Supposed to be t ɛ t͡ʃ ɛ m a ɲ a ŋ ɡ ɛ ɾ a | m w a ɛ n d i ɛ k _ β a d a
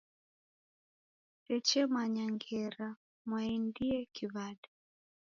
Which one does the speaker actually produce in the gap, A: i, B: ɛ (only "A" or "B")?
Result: A